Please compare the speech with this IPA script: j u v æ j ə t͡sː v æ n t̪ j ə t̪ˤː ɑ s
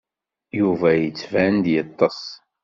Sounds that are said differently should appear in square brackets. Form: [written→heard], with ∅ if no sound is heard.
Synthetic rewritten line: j u v æ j ə t͡sː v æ n [t̪→d̪] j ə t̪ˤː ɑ s